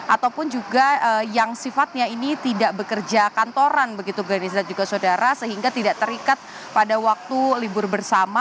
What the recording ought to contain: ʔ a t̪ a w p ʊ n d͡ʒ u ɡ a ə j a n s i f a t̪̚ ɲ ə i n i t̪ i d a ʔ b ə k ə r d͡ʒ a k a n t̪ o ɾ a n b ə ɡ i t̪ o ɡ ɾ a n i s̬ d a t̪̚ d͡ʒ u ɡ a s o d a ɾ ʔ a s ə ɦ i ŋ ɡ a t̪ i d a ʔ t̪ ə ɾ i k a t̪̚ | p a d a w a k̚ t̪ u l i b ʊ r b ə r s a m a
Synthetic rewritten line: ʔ a t̪ a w p ʊ n d͡ʒ u ɡ a ə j a ŋ s i f a t̪̚ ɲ a i n i t̪ i d a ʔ b ə k ə r d͡ʒ a k a n t̪ o ɾ a n b ə ɡ i t̪ u ɡ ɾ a n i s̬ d a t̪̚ d͡ʒ u ɡ a s o d a ɾ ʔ a s ə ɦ i ŋ ɡ a t̪ i d a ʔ t̪ ə ɾ i k a t̪̚ | p a d a w a k̚ t̪ u l i b ʊ r b ə r s a m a